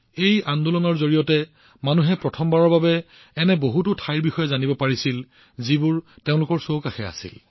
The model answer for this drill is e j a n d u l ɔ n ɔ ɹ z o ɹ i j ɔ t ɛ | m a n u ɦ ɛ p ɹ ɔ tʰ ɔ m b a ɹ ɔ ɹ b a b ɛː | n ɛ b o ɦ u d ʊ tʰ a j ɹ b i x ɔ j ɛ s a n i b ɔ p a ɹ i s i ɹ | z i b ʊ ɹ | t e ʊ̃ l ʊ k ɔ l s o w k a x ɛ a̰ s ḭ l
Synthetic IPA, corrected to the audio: e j a n d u l ɔ n ɔ ɹ z o ɹ i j ɔ t ɛ | m a n u ɦ ɛ p ɹ ɔ tʰ ɔ m b a ɹ ɔ ɹ b a b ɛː | n ɛ b o ɦ u t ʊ tʰ a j ɹ b i x ɔ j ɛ z a n i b ɔ p a ɹ i s i l | z i b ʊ ɹ | t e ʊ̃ l ʊ k ɔ ɹ s o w k a x ɛ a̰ s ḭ l